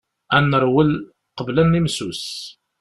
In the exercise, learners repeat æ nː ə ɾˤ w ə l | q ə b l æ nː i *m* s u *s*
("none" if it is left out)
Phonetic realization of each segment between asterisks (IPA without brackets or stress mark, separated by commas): m, s